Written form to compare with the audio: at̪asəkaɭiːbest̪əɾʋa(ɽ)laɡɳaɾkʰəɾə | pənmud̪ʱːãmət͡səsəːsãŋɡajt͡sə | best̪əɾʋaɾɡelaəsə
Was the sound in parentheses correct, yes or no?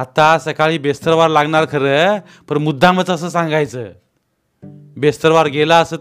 no